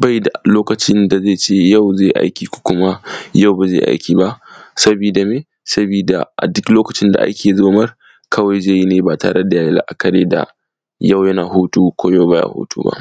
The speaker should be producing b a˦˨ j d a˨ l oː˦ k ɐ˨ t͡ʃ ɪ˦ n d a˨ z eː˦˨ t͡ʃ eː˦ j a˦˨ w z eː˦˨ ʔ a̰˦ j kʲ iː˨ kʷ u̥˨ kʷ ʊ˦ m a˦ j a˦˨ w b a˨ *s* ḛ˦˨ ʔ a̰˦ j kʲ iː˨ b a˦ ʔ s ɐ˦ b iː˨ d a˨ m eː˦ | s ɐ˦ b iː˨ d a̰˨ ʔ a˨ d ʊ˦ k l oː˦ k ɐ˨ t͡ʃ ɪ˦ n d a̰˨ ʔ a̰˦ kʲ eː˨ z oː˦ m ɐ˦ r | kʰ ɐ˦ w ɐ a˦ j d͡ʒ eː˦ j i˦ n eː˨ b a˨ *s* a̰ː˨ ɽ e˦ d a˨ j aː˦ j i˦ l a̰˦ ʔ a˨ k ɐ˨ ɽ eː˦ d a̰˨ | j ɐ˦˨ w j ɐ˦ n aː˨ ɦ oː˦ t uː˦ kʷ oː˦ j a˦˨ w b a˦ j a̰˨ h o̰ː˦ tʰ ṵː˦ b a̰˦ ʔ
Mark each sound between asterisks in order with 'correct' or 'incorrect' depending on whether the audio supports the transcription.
incorrect: z, incorrect: t

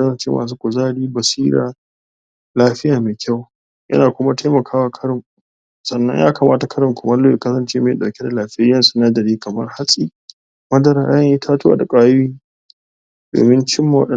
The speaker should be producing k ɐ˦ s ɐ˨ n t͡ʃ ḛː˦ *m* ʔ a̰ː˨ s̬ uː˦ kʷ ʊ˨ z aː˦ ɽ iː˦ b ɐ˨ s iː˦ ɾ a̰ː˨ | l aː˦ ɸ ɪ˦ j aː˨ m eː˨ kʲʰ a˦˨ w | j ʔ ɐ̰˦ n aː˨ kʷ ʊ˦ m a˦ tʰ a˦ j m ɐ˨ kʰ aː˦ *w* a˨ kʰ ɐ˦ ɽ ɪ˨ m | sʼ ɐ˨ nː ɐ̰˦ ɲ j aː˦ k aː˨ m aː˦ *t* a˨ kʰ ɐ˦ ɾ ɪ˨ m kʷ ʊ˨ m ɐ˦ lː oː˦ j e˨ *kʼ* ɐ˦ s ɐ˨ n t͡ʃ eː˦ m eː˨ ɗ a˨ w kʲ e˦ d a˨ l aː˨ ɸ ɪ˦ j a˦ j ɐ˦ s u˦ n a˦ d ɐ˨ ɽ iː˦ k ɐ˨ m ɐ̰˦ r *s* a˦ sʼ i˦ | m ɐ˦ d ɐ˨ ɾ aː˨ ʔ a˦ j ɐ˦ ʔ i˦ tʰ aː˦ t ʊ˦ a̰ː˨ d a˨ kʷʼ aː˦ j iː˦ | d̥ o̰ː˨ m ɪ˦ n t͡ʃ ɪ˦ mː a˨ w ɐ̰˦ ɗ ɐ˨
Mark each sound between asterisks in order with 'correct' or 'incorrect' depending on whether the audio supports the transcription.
correct, correct, correct, incorrect: k, incorrect: h

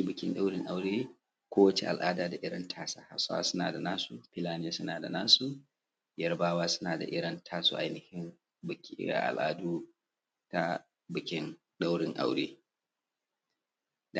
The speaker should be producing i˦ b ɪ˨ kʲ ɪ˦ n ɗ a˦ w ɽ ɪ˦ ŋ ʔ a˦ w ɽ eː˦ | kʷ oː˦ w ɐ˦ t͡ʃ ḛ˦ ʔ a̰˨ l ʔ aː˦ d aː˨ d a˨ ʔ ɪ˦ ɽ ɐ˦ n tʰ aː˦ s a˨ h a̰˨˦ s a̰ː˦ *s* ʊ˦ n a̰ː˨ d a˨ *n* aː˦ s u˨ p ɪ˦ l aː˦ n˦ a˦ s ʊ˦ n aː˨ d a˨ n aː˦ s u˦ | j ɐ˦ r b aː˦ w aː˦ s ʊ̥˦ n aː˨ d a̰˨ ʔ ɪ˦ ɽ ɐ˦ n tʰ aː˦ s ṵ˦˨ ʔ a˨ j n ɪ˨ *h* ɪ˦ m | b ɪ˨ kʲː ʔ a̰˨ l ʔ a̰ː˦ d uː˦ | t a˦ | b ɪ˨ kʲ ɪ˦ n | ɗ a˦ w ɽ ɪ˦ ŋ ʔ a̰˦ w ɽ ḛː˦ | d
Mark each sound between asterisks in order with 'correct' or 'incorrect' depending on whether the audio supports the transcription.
correct, correct, correct

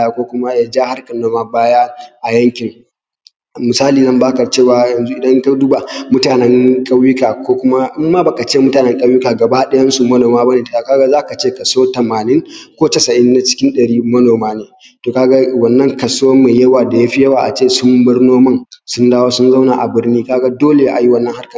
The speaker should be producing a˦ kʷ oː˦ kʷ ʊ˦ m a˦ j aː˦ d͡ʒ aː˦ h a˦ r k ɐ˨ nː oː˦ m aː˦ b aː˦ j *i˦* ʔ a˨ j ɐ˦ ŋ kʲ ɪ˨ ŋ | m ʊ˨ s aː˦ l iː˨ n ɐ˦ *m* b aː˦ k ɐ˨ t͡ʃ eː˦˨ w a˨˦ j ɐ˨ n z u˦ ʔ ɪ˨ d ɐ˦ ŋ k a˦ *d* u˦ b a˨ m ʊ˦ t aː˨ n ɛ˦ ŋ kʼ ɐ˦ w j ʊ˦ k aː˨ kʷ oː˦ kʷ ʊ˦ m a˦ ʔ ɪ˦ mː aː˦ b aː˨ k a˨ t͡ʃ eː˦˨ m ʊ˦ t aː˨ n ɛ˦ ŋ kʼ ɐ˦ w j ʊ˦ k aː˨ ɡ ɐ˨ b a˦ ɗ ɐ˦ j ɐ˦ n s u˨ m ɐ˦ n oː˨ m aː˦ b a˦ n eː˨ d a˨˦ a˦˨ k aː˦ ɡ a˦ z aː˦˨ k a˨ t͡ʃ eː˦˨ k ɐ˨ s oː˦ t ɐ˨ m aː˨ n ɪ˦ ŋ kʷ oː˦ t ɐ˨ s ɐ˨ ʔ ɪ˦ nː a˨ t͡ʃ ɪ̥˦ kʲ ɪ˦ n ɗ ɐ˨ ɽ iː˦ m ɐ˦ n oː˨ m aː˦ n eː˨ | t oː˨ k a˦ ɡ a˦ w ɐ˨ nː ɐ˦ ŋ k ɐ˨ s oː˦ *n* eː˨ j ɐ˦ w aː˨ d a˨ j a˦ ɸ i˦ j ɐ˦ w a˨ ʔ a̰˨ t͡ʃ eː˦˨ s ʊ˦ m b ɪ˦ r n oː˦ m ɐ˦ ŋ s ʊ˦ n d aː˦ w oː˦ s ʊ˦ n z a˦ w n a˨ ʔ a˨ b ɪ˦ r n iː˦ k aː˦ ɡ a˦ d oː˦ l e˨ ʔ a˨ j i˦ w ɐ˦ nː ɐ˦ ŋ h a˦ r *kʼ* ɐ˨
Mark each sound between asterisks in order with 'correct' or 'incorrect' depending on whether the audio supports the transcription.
incorrect: a˦, correct, correct, incorrect: m, incorrect: k

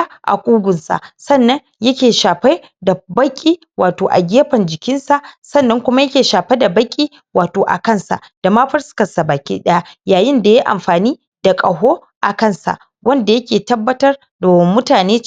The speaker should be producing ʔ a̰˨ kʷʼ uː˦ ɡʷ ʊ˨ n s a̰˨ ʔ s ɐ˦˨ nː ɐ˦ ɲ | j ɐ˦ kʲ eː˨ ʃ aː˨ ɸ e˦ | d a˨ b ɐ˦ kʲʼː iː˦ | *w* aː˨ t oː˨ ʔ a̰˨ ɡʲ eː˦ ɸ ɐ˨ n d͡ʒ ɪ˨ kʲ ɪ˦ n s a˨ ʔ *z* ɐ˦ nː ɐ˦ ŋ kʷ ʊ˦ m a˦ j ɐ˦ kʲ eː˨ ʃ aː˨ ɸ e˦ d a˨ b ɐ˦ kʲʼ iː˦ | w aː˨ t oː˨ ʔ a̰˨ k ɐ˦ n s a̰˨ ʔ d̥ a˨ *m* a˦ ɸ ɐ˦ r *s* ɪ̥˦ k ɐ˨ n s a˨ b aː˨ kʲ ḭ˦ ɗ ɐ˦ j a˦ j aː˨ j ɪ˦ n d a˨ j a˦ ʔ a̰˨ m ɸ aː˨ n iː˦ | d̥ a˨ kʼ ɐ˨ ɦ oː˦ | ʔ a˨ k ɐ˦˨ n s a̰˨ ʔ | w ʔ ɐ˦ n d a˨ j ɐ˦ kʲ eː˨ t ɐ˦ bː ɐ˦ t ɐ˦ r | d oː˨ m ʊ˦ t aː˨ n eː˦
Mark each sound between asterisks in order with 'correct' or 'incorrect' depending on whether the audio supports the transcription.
correct, incorrect: s, correct, correct

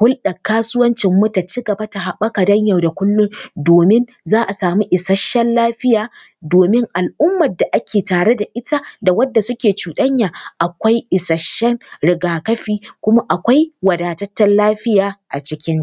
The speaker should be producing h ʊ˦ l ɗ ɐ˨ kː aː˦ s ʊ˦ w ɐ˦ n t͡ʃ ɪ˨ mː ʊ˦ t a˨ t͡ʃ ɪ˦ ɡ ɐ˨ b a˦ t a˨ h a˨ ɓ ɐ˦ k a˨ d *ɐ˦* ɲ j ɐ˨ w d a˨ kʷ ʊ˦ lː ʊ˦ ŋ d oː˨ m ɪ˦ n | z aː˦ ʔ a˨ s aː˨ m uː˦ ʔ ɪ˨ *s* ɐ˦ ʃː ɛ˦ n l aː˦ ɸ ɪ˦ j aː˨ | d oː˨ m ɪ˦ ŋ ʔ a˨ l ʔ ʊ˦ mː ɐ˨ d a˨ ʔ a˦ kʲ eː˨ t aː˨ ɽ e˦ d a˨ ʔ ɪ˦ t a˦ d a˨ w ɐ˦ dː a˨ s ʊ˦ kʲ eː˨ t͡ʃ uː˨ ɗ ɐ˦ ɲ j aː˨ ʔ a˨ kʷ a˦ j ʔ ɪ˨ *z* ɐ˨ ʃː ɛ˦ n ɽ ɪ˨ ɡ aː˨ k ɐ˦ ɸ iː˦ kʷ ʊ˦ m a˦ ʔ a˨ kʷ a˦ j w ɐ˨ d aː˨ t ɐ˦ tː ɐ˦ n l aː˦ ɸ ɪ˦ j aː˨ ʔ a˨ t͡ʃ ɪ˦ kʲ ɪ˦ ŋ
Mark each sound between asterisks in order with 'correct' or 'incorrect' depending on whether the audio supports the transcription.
correct, correct, incorrect: s

